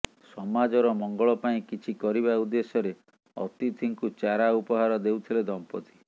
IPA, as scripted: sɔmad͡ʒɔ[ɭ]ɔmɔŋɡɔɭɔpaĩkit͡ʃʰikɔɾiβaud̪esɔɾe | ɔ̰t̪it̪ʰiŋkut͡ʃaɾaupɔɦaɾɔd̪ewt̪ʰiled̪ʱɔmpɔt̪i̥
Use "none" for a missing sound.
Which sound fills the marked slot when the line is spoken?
ɾ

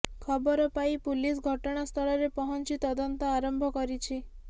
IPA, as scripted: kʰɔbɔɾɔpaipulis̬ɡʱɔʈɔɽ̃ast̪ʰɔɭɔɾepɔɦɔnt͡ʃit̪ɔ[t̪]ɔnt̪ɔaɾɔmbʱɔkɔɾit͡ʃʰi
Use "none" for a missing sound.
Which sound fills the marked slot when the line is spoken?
d̪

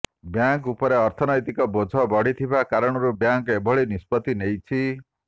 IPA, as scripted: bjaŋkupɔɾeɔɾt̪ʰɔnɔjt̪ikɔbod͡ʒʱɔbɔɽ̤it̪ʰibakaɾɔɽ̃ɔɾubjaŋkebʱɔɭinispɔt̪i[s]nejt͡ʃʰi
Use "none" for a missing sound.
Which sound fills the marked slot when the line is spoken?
none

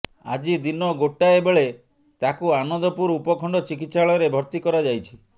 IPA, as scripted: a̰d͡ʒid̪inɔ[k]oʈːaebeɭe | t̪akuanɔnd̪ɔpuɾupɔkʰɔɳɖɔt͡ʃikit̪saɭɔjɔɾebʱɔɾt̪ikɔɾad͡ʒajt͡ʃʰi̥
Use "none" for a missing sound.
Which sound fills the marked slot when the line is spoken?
ɡ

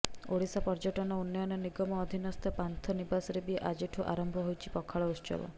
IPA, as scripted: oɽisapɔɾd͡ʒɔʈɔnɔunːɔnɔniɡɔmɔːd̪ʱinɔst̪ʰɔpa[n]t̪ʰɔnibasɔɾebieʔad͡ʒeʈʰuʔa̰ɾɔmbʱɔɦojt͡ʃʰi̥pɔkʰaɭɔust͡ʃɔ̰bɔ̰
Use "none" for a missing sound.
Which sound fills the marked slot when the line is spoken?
n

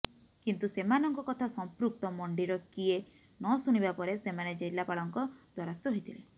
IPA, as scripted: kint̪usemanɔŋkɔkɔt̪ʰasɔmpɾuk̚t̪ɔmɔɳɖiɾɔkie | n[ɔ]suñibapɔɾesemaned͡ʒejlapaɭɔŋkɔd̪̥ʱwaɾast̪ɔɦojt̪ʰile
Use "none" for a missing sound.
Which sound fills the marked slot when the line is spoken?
ɔ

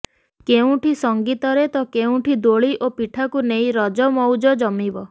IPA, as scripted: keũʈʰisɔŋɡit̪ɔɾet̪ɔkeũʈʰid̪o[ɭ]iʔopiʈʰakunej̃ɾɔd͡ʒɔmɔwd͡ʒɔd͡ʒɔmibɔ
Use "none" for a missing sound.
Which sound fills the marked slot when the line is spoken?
ɭ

